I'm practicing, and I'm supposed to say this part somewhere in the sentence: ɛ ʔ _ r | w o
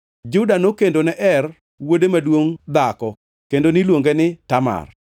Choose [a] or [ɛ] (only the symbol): ɛ